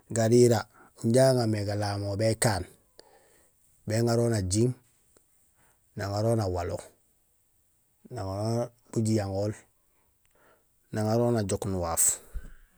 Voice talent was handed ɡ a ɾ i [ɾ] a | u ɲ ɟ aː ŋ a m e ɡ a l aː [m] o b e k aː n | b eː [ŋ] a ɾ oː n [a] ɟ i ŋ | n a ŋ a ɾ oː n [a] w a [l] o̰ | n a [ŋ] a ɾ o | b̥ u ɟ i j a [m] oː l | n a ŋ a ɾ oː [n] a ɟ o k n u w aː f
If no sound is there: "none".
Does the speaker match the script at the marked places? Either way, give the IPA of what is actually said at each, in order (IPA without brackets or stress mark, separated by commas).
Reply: ɾ, m, ŋ, a, a, l, ŋ, ŋ, n